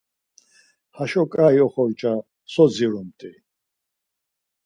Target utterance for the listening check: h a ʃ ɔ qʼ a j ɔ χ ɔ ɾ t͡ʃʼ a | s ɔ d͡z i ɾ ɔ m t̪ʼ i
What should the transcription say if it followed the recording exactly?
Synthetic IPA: h a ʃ ɔ kʼ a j ɔ χ ɔ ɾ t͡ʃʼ a | s ɔ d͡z i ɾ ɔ m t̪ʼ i

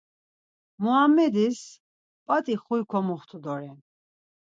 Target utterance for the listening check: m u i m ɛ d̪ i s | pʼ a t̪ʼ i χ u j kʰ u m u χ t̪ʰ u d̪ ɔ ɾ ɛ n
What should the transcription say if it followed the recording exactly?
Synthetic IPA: m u a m ɛ d̪ i s | pʼ a t̪ʼ i χ u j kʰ ɔ m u χ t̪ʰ u d̪ ɔ ɾ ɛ n

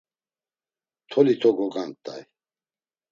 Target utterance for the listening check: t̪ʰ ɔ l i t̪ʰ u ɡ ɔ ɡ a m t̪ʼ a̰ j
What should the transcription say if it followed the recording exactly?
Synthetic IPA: t̪ʰ ɔ l i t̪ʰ ɔ ɡ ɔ ɡ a n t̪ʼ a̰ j

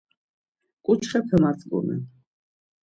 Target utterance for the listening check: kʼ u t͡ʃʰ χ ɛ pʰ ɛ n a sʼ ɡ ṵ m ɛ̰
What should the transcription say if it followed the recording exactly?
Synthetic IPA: kʼ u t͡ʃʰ χ ɛ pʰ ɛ m a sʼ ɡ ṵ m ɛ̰

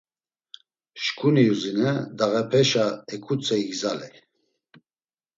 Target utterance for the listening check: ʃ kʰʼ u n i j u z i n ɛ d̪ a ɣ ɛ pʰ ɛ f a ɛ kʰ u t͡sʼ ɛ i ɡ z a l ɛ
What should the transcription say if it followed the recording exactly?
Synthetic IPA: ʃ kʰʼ u n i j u z i n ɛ d̪ a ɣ ɛ pʰ ɛ ʃ a ɛ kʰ u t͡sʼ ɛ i ɡ z a l ɛ

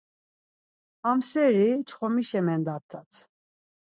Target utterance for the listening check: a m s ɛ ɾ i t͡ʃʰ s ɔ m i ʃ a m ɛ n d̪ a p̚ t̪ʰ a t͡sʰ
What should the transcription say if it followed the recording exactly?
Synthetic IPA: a m s ɛ ɾ i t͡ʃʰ χ ɔ m i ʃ ɛ m ɛ n d̪ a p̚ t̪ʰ a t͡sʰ

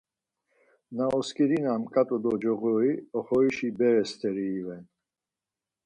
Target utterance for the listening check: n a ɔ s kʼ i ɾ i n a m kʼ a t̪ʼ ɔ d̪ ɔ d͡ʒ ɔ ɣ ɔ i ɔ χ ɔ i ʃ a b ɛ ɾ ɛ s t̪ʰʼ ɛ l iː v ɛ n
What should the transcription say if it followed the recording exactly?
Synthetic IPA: n a ɔ s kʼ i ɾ i n a m kʼ a t̪ʼ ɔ d̪ ɔ d͡ʒ ɔ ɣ ɔ i ɔ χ ɔ i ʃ i b ɛ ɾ ɛ s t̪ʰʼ ɛ ɾ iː v ɛ n

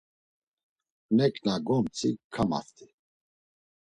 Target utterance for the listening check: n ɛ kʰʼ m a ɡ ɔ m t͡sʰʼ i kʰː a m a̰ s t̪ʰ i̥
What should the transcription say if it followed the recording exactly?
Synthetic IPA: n ɛ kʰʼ n a ɡ ɔ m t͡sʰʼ i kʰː a m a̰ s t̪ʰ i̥

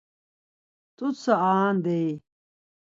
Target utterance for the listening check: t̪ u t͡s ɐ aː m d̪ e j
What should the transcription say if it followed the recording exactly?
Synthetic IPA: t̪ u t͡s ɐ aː n d̪ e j

